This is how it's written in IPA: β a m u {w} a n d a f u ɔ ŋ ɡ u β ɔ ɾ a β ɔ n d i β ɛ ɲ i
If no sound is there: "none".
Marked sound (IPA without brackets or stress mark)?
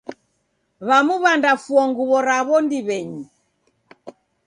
β